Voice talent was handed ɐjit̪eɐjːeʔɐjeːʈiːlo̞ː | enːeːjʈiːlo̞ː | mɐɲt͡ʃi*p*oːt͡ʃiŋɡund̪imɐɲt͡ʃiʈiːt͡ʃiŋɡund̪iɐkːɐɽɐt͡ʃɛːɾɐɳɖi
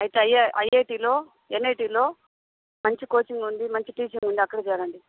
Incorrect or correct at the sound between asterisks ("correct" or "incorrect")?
incorrect